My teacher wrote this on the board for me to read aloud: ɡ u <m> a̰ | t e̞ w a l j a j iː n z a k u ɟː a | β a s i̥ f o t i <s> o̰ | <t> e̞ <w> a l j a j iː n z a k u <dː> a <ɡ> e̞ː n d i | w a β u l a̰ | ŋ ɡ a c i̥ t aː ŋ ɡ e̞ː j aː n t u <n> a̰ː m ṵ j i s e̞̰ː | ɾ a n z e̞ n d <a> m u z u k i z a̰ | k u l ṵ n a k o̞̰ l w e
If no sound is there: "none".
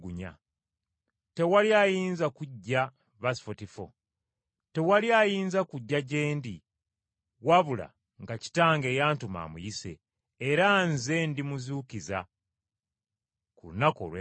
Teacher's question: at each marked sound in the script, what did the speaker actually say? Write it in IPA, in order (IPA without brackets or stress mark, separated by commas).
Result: ɲ, f, t, w, ɟː, ɟ, m, i